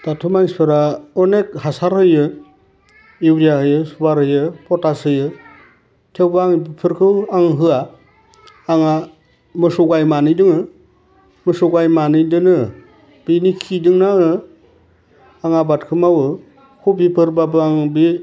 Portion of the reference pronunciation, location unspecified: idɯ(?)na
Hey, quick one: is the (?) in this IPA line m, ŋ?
ŋ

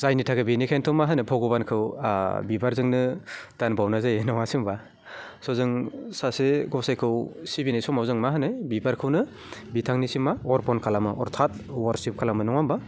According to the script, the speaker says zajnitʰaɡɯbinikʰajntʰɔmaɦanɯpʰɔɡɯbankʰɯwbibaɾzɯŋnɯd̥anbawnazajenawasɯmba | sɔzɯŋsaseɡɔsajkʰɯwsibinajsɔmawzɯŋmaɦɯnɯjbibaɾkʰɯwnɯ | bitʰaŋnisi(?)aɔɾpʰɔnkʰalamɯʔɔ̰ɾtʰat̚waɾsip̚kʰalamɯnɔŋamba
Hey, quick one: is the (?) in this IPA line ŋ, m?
m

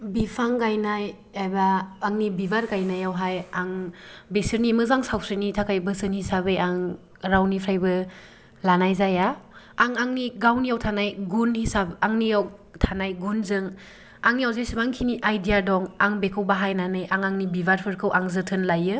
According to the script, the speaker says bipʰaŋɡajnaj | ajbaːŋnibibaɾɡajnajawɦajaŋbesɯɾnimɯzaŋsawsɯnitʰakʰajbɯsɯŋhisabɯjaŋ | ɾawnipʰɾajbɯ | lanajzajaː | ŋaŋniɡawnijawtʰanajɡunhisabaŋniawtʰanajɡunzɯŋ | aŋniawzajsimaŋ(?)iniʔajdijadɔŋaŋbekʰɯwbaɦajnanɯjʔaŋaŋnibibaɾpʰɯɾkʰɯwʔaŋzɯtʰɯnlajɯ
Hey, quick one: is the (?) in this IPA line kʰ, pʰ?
kʰ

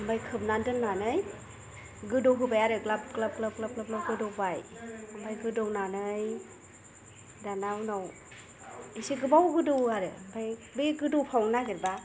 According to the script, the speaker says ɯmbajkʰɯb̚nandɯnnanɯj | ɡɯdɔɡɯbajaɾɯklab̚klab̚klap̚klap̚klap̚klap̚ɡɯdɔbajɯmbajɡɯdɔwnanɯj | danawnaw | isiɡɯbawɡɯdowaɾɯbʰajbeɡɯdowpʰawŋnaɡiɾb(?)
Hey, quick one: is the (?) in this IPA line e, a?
a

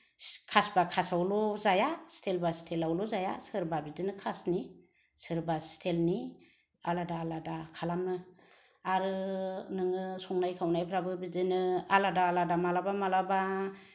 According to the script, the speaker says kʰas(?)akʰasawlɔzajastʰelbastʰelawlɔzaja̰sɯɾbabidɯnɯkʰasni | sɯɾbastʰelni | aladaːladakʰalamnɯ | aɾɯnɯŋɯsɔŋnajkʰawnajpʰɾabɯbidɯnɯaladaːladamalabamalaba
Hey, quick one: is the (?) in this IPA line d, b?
b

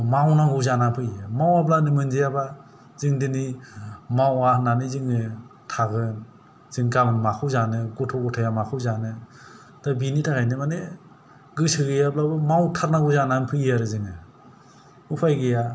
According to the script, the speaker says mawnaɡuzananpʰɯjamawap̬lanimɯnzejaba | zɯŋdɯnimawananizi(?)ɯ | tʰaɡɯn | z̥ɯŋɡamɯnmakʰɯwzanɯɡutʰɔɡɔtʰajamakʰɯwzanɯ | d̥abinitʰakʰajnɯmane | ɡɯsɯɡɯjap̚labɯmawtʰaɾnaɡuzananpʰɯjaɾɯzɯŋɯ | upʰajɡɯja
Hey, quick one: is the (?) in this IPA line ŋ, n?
ŋ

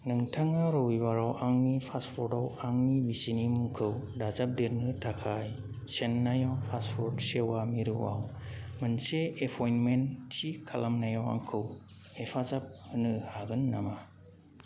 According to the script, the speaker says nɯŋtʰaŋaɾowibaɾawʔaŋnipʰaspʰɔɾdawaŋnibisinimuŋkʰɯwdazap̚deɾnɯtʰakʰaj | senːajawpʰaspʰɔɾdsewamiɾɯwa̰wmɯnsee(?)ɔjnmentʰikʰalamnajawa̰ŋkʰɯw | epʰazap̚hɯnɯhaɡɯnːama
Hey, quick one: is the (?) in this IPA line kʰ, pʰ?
pʰ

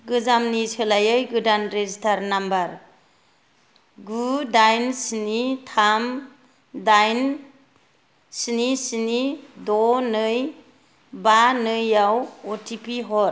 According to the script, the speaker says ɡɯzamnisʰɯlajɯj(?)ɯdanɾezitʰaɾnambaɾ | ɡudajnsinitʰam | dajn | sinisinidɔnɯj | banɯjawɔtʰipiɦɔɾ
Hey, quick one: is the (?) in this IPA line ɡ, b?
ɡ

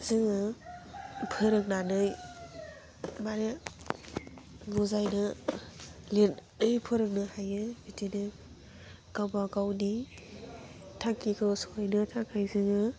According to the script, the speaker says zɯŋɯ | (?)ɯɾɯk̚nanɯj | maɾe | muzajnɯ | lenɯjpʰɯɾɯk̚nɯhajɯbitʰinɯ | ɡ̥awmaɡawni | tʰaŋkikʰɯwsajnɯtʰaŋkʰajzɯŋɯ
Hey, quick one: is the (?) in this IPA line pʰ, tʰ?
pʰ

